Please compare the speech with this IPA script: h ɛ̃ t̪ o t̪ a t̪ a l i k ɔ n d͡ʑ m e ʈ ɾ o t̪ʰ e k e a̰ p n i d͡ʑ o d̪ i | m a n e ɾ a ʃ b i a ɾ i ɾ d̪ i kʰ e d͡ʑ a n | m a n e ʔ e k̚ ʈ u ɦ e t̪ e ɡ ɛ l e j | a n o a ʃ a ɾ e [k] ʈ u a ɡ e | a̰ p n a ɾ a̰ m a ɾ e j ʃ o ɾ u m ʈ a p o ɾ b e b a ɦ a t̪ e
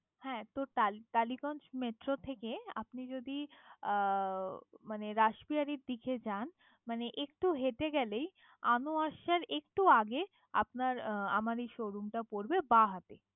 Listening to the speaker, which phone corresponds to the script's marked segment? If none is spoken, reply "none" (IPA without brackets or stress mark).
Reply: k